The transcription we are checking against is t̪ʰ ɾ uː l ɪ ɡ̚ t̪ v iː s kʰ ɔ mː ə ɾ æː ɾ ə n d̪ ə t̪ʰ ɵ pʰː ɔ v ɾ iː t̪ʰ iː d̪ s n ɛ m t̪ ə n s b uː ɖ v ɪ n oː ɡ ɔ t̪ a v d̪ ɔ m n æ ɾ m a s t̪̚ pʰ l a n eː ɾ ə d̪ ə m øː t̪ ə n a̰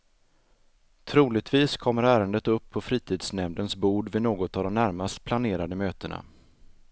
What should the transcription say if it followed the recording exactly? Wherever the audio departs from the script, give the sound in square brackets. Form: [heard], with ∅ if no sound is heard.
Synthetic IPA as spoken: t̪ʰ ɾ uː l ɪ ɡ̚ t̪ v iː s kʰ ɔ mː ə ɾ æː ɾ ə n d̪ ə [t̪] ɵ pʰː ɔ [f] ɾ iː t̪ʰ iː d̪ s n ɛ m [d̪] ə n s b uː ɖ v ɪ n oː ɡ ɔ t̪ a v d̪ ɔ m n æ ɾ m a s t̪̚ pʰ l a n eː ɾ [a] d̪ ə m øː t̪ ə n a̰